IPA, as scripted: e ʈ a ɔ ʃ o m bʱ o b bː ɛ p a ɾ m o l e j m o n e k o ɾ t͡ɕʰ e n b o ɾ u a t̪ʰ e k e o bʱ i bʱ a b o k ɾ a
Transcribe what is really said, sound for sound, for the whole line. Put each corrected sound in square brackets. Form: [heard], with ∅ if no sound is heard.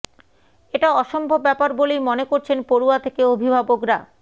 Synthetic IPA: e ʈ a ɔ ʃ o m bʱ o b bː ɛ p a ɾ [b] o l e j m o n e k o ɾ t͡ɕʰ e n [p] o ɾ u a t̪ʰ e k e o bʱ i bʱ a b o k ɾ a